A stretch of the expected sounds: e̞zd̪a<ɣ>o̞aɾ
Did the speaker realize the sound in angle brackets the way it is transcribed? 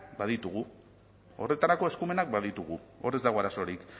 yes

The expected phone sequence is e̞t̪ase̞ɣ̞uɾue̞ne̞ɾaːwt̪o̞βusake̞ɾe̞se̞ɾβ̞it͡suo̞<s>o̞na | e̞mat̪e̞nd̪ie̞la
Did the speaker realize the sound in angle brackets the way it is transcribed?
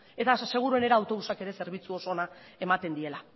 yes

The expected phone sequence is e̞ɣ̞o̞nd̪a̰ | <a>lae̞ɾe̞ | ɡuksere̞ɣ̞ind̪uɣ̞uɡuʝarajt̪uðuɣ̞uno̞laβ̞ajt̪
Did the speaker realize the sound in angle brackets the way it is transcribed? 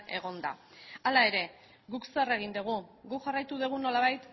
yes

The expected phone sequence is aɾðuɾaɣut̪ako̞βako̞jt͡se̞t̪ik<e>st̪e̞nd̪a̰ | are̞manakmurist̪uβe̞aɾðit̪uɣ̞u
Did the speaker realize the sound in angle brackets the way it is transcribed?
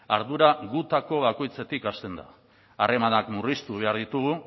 no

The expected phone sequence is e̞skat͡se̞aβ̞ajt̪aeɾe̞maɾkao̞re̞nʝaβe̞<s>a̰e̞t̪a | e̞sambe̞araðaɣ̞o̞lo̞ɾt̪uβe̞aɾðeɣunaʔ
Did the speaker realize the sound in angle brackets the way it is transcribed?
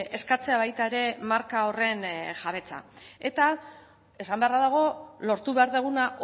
no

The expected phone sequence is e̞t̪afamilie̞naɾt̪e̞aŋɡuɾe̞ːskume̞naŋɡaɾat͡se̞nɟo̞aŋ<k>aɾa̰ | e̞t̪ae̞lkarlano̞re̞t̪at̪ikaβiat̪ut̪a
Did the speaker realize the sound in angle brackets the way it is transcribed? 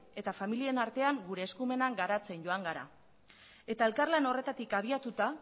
no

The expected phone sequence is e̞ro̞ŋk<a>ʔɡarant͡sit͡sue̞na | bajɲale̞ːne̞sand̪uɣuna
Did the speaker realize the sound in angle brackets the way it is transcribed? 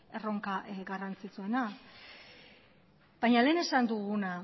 yes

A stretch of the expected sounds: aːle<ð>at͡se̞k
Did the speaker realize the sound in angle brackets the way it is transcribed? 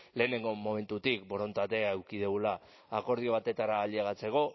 no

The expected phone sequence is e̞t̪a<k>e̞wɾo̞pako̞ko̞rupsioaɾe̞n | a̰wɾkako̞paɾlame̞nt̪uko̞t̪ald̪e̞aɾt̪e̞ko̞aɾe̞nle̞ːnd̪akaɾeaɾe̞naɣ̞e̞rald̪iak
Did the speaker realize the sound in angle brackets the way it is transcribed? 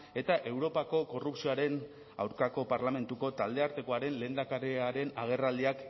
no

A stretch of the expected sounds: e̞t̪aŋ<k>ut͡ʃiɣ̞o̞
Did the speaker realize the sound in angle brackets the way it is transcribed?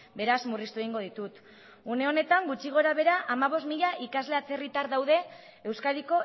no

